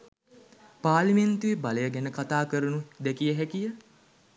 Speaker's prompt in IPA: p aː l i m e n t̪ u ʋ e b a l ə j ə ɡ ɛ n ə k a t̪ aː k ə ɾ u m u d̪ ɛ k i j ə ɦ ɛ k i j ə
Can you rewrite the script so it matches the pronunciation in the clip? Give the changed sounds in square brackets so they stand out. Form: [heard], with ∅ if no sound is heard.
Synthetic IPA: p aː l i m e n t̪ u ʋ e b a l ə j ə ɡ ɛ n ə k a t̪ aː k ə ɾ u [n] u d̪ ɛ k i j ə ɦ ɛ k i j ə